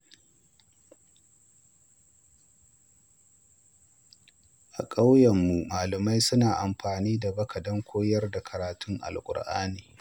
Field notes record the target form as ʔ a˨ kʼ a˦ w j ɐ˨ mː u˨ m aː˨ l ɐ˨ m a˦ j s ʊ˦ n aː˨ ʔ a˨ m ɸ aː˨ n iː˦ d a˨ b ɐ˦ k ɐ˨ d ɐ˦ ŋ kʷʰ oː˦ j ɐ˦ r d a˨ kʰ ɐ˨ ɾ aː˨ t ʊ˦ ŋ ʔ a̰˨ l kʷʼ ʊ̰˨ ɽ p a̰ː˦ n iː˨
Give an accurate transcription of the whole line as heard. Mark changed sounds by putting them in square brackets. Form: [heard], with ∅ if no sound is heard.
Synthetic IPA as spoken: ʔ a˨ kʼ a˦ w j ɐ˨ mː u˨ m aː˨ l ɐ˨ m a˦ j s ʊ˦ n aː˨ ʔ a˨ m ɸ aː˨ n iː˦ d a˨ b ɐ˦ k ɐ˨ d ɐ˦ ŋ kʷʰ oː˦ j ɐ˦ r d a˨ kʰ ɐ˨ ɾ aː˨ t ʊ˦ ŋ ʔ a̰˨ l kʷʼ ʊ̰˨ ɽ [ʔ] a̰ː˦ n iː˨